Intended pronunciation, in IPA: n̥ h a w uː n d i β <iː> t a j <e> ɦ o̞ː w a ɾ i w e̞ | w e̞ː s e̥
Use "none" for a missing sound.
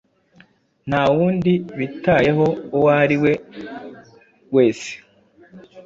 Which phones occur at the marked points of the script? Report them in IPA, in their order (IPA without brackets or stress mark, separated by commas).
i, e